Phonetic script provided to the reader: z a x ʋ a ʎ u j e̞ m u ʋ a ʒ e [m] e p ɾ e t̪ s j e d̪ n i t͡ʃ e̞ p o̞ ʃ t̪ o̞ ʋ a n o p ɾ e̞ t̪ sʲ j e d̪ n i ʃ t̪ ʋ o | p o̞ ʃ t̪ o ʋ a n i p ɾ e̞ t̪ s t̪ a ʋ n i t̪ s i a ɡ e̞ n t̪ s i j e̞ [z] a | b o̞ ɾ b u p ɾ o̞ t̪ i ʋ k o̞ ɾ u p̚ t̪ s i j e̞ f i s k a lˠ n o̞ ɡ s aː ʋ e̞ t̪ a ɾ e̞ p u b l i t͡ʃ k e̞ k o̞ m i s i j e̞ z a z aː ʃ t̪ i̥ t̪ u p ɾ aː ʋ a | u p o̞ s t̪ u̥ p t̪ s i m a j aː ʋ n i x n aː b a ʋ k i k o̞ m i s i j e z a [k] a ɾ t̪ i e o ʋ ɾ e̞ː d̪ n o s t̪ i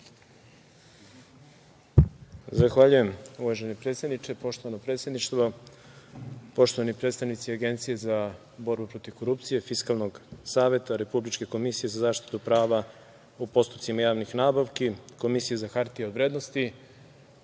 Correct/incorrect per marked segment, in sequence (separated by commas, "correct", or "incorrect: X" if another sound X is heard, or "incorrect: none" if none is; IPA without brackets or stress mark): incorrect: n, correct, incorrect: x